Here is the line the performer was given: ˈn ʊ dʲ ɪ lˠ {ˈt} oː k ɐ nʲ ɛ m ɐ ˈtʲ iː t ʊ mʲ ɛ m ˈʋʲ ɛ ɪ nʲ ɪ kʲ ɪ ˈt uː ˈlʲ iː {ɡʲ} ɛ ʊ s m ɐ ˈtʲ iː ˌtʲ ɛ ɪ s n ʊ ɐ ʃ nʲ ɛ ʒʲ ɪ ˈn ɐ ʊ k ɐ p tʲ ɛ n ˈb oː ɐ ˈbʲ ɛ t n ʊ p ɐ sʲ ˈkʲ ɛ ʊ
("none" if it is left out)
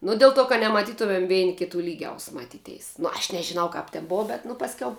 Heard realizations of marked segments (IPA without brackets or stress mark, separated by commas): t, ɡʲ